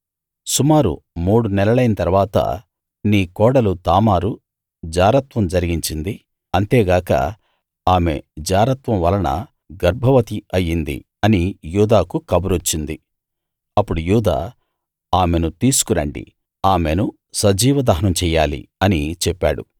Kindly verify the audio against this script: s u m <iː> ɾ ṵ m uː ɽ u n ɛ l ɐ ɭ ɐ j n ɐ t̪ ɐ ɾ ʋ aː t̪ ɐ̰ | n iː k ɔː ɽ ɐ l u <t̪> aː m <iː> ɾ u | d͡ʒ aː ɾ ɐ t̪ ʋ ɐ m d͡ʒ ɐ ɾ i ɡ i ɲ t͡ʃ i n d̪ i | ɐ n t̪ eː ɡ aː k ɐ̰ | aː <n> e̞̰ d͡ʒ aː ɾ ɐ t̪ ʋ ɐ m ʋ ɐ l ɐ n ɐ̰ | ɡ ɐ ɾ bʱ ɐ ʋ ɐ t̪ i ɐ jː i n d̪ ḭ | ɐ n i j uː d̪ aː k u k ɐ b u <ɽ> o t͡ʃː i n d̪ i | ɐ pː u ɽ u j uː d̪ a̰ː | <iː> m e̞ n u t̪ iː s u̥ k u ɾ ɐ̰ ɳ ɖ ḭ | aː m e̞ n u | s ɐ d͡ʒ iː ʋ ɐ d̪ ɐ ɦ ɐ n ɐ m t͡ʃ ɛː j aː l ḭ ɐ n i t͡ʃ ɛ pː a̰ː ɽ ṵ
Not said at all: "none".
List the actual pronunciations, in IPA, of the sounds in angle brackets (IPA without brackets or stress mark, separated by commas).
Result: aː, t̪, aː, m, ɾ, aː